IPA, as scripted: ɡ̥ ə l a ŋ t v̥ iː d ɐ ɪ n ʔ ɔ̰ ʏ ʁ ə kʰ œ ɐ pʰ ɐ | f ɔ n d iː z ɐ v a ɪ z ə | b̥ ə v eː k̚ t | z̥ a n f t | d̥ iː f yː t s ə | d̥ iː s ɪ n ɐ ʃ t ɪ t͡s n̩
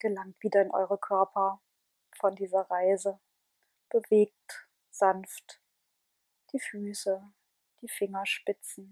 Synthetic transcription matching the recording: ɡ̥ ə l a ŋ t v̥ iː d ɐ ɪ n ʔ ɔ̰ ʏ ʁ ə kʰ œ ɐ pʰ ɐ | f ɔ n d iː z ɐ ʁ a ɪ z ə | b̥ ə v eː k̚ t | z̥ a n f t | d̥ iː f yː s ə | d̥ iː f ɪ ŋ ɐ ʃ p ɪ t͡s n̩

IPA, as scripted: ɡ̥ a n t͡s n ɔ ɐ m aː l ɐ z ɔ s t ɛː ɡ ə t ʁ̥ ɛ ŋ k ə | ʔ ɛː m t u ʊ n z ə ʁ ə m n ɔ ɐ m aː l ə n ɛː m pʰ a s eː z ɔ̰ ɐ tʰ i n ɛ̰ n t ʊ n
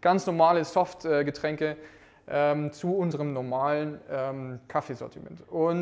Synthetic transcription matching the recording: ɡ̥ a n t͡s n ɔ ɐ m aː l ə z ɔ f t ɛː ɡ ə t ʁ̥ ɛ ŋ k ə | ʔ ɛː m t͡s u ʊ n z ə ʁ ə m n ɔ ɐ m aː l ə n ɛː m kʰ a f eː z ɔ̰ ɐ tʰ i m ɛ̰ n t ʊ n

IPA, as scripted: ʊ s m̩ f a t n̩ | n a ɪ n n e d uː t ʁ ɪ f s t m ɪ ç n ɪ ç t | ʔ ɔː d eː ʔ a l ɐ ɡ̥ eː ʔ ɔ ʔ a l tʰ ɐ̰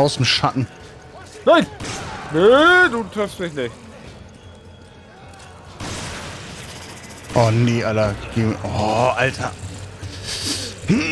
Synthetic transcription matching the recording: ʊ s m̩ ʃ a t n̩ | n a ɪ n n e d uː t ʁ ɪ f s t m ɪ ç n ɪ ç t | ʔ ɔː n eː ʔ a l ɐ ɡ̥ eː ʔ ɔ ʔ a l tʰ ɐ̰

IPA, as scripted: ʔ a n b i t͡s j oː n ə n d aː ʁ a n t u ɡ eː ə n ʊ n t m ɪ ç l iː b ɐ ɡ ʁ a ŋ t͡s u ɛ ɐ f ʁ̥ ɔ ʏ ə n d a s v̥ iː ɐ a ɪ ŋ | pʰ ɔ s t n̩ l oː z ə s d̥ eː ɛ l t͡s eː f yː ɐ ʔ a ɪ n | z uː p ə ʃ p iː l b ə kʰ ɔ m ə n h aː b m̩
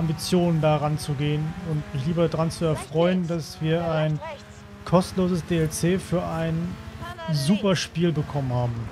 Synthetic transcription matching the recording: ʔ a m b i t͡s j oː n ə n d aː ʁ a n t͡s u ɡ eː ə n ʊ n t m ɪ ç l iː b ɐ d ʁ a n t͡s u ɛ ɐ f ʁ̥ ɔ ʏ ə n d a s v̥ iː ɐ a ɪ n | kʰ ɔ s t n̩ l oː z ə s d̥ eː ɛ l t͡s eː f yː ɐ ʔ a ɪ n | z uː p ɐ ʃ p iː l b ə kʰ ɔ m ə n h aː b m̩

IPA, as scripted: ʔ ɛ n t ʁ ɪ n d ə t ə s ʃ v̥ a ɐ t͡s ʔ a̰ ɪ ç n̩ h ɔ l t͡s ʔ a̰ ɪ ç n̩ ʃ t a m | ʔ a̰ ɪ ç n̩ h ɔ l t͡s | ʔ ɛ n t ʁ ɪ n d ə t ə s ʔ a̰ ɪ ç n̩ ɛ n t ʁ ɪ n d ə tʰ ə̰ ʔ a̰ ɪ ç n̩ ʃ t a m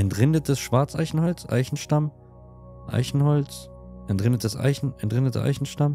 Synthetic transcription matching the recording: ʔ ɛ n t ʁ ɪ n d ə t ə s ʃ v̥ a ɐ t͡s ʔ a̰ ɪ ç n̩ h ɔ l t͡s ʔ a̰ ɪ ç n̩ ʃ t a m | ʔ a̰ ɪ ç n̩ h ɔ l t͡s | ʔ ɛ n t ʁ ɪ n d ə t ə s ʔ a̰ ɪ ç n̩ ɛ n t ʁ ɪ n d ə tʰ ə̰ ʔ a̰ ɪ ç n̩ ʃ t a m

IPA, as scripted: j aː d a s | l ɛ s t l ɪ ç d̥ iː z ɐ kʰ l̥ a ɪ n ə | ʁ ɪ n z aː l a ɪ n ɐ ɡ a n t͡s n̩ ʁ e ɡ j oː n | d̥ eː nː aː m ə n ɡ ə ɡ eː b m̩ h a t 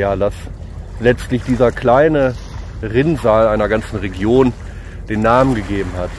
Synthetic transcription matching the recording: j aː d a s | l ɛ t͡s t l ɪ ç d̥ iː z ɐ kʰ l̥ a ɪ n ə | ʁ ɪ n z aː l a ɪ n ɐ ɡ a n t͡s n̩ ʁ e ɡ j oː n | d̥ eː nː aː m ə n ɡ ə ɡ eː b m̩ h a t

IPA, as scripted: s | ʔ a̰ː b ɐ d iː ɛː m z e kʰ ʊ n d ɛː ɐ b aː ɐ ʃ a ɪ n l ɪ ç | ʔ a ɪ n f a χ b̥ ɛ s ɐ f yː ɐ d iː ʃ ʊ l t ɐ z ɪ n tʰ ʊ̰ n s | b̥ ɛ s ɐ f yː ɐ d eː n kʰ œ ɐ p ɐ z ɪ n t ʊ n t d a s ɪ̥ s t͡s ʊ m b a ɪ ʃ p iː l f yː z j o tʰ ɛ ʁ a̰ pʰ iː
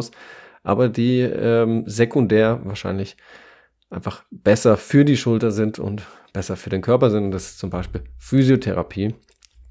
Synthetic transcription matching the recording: s | ʔ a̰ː b ɐ d iː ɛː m z e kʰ ʊ n d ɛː ɐ v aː ɐ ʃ a ɪ n l ɪ ç | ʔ a ɪ n f a χ b̥ ɛ s ɐ f yː ɐ d iː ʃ ʊ l t ɐ z ɪ n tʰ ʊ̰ n t | b̥ ɛ s ɐ f yː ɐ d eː n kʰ œ ɐ p ɐ z ɪ n t ʊ n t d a s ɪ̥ s t͡s ʊ m b a ɪ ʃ p iː l f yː z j o tʰ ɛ ʁ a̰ pʰ iː

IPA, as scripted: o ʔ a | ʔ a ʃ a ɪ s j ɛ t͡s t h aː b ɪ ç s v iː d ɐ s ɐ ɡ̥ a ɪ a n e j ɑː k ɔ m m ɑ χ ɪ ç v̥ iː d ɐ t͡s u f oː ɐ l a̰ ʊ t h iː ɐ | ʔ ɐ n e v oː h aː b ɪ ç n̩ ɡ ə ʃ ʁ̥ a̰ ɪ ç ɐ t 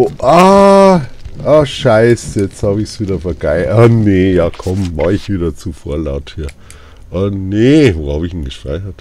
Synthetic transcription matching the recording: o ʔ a | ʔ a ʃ a ɪ s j ɛ t͡s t h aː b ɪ ç s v iː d ɐ f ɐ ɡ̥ a ɪ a n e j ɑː kʰ ɔ m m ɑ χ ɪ ç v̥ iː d ɐ t͡s u f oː ɐ l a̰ ʊ t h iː ɐ | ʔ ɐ n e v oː h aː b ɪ ç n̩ ɡ ə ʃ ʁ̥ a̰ ɪ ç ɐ t

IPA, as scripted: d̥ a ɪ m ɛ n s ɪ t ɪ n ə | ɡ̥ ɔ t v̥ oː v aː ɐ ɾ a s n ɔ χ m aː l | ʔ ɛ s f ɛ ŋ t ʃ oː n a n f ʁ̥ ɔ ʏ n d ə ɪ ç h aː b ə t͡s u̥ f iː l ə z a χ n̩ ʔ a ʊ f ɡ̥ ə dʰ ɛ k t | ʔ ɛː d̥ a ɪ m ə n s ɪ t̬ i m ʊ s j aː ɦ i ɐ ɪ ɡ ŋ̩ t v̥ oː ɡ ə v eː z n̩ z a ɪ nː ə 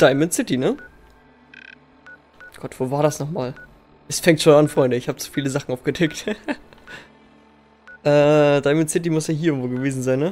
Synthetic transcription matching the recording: d̥ a ɪ m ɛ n s ɪ t i n ə | ɡ̥ ɔ t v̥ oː v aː ɐ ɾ a s n ɔ χ m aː l | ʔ ɛ s f ɛ ŋ t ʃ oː n a n f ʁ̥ ɔ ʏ n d ə ɪ ç h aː b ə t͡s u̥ f iː l ə z a χ n̩ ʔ a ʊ f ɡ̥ ə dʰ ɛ k t | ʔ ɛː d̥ a ɪ m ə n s ɪ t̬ i m ʊ s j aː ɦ i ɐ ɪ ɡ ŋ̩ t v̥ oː ɡ ə v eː z n̩ z a ɪ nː ə

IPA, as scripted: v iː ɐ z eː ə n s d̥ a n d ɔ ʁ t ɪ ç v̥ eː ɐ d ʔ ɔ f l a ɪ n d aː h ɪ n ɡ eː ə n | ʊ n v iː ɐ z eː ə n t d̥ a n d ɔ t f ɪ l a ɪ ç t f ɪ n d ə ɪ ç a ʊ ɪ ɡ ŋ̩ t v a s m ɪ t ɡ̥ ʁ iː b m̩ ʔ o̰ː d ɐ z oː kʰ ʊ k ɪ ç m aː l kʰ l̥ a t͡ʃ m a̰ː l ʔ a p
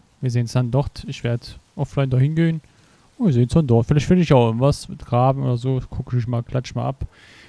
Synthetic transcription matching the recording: v iː ɐ z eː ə n s d̥ a n d ɔ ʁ t ɪ ç v̥ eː ɐ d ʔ ɔ f l a ɪ n d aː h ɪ n ɡ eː ə n | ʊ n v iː ɐ z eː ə n s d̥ a n d ɔ t f ɪ l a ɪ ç t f ɪ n d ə ɪ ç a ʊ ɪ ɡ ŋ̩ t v a s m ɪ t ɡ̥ ʁ aː b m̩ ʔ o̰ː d ɐ z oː kʰ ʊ k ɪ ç m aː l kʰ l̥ a t͡ʃ m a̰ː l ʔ a p

